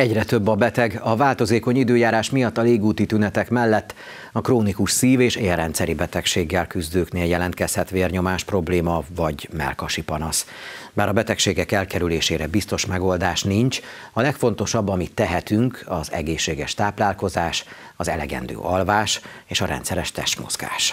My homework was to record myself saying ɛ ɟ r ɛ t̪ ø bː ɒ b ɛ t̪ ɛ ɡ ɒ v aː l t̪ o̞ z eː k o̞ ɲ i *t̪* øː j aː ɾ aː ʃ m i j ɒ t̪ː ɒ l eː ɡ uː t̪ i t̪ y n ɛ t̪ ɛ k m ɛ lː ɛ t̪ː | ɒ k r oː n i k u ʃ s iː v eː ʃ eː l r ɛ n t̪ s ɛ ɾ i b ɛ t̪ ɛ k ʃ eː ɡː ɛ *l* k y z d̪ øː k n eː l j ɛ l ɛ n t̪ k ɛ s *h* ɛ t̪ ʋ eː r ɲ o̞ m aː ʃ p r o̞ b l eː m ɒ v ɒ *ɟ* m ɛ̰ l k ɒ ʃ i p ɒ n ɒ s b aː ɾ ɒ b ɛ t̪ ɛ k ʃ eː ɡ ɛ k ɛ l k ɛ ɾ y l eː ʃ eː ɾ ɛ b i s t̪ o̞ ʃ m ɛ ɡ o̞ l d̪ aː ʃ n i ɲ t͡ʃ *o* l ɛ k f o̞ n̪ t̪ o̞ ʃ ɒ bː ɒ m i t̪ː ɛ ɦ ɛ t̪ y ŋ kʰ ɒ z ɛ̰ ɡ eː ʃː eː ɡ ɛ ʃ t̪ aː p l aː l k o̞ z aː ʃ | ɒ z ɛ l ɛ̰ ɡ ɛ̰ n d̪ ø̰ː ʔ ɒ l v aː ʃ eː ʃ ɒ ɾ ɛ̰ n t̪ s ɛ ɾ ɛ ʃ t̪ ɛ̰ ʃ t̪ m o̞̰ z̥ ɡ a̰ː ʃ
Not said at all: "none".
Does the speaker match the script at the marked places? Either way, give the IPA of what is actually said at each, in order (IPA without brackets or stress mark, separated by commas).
d̪, l, h, ɟ, ɒ